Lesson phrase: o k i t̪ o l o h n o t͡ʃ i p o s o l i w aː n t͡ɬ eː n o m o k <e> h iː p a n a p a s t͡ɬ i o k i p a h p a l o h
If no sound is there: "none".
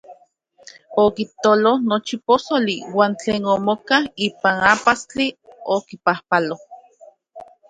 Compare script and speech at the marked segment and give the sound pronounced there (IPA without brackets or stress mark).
a